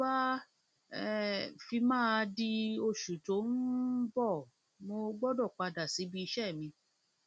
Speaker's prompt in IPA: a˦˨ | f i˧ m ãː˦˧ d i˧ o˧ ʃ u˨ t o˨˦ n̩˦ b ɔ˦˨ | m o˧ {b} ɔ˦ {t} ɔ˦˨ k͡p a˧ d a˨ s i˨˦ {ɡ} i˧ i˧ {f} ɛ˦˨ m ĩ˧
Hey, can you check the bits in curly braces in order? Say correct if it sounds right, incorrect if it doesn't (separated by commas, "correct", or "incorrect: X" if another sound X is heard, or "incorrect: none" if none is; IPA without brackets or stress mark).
incorrect: ɡ͡b, incorrect: d, incorrect: b, incorrect: ʃ